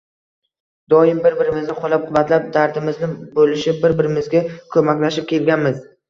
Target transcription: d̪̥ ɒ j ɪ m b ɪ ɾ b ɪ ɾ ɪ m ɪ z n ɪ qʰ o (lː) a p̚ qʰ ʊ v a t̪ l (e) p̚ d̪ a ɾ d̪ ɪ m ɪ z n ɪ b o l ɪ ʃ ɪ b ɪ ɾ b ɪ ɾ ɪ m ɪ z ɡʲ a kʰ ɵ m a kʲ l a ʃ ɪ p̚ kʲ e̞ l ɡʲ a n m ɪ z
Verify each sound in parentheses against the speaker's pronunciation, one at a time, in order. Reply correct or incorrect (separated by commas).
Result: incorrect, incorrect